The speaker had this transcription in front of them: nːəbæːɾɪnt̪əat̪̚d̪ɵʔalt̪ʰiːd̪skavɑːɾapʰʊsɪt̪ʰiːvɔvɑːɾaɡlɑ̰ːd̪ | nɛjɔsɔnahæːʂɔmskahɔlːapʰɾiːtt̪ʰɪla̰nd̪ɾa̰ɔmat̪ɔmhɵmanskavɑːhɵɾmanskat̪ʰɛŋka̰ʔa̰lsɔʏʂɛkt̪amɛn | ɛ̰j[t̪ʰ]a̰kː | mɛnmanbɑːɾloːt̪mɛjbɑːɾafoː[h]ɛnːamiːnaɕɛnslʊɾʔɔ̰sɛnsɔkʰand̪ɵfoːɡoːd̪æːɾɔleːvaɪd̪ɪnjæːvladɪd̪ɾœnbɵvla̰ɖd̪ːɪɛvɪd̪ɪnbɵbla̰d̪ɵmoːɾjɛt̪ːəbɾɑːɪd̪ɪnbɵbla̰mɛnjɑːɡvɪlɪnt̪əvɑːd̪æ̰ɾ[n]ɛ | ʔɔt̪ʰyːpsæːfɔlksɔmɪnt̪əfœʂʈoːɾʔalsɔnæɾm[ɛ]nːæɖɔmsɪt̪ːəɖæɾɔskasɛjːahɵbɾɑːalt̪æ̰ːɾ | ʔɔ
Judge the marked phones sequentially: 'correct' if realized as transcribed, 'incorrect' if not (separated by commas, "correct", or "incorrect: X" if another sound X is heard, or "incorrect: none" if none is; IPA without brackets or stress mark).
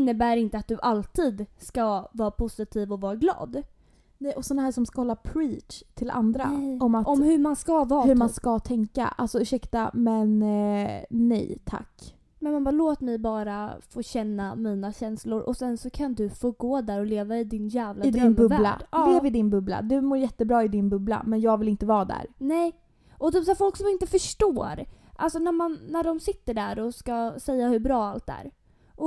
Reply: correct, incorrect: ɕ, correct, incorrect: a